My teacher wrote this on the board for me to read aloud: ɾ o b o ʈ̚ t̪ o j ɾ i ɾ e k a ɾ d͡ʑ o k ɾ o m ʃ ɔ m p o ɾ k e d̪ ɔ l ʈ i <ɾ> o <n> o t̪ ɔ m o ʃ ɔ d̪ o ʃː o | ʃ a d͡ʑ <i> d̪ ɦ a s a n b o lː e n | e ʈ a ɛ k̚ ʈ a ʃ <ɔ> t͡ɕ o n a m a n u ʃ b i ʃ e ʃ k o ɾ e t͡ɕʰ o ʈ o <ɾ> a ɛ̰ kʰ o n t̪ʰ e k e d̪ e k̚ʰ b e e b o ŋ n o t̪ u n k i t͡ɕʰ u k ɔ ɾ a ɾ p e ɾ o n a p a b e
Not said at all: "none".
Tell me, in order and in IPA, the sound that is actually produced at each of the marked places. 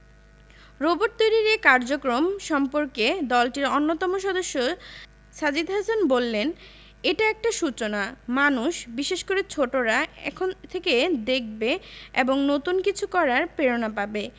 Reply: ɾ, nː, i, u, ɾ

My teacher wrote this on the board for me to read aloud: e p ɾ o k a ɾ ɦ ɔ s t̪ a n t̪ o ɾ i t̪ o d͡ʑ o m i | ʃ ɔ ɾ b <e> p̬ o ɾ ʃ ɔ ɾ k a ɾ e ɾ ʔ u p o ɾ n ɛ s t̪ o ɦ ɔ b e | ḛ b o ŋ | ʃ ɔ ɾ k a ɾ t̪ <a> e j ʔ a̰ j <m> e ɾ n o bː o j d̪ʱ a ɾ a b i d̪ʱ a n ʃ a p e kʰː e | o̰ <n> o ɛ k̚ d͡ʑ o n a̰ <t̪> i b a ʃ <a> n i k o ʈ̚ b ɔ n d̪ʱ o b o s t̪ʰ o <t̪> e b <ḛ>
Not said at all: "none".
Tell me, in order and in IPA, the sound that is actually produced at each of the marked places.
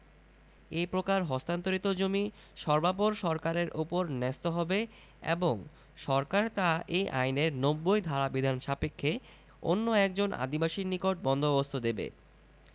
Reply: a, a, n, nː, d̪, i, d̪, ḛ

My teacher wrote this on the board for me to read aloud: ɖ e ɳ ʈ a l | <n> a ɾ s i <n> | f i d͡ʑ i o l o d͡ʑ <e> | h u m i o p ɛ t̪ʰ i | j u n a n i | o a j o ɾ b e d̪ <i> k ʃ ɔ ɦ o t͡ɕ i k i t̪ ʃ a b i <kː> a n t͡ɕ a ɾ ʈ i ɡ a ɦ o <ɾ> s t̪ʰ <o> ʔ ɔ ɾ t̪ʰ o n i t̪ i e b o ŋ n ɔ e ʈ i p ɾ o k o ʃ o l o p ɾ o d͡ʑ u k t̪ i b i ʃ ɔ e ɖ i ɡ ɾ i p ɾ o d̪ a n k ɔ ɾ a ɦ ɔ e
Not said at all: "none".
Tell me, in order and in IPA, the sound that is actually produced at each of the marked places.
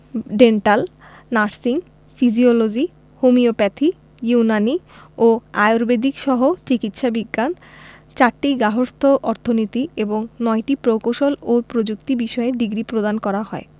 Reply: n, ŋ, i, i, ɡː, ɾ, o

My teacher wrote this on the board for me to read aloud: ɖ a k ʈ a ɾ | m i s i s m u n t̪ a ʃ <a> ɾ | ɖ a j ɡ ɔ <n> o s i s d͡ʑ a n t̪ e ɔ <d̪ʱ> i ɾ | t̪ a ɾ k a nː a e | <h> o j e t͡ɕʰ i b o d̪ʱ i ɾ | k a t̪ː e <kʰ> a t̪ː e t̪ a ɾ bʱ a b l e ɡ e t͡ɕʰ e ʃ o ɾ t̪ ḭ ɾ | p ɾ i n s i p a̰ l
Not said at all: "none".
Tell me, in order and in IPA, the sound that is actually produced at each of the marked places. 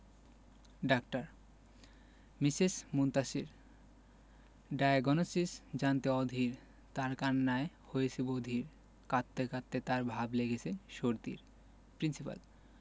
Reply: i, n, d̪ʱ, h, k

